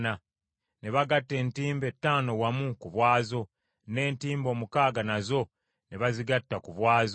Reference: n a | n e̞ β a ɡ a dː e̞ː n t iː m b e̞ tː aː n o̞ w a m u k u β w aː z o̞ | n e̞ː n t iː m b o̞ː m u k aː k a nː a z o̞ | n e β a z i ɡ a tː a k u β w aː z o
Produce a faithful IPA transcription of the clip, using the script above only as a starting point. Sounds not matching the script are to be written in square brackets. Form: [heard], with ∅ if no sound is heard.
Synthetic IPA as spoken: n a | n e̞ β a ɡ a [tː] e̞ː n t iː m b e̞ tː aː n o̞ w a m u k u β w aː z o̞ | n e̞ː n t iː m b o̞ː m u k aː [ɡ] a [n] a z o̞ | n e β a z i ɡ a tː a k u β w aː z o